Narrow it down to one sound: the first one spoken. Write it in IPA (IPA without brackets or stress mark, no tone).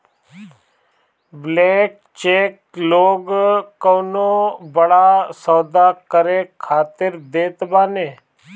b